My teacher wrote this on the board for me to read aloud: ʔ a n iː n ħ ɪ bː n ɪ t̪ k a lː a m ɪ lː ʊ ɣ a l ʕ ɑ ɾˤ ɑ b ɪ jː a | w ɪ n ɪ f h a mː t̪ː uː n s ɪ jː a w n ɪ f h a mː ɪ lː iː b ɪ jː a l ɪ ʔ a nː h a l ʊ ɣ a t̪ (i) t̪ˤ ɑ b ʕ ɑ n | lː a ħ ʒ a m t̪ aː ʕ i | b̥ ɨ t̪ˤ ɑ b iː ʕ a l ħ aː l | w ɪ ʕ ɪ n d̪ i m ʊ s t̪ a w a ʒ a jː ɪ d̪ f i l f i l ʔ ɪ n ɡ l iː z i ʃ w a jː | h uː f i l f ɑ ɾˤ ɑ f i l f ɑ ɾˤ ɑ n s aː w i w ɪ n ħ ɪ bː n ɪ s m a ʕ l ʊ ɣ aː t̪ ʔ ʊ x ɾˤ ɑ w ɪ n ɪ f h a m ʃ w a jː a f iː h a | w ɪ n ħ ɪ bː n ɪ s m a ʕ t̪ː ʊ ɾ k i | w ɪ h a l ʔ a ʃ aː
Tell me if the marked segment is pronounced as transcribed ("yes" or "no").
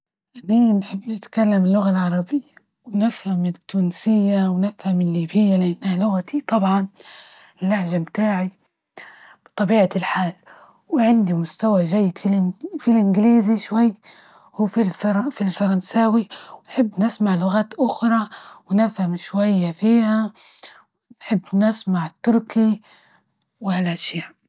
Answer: yes